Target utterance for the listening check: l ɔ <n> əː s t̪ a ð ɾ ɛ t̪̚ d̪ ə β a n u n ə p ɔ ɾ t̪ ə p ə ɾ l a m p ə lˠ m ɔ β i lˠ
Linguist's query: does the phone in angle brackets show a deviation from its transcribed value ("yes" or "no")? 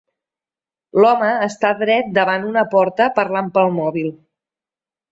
yes